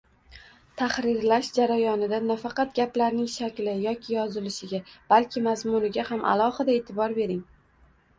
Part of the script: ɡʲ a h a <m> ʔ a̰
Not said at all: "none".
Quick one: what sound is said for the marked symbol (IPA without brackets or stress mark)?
m